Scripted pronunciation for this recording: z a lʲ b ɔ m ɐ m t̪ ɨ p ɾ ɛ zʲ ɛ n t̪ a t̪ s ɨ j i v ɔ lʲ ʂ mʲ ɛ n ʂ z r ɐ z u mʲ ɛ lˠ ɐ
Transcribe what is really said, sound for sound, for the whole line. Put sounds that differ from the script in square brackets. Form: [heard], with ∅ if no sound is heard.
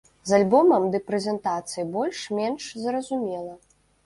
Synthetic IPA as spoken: z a lʲ b ɔ m ɐ m [d̪] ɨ p ɾ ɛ zʲ ɛ n t̪ a t̪ s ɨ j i [b] ɔ lʲ ʂ mʲ ɛ n ʂ z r ɐ z u mʲ ɛ lˠ ɐ